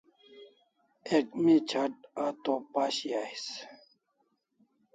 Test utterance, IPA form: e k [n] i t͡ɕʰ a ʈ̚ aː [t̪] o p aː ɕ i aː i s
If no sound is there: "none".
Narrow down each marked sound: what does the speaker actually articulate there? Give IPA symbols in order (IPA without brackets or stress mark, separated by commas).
m, t̪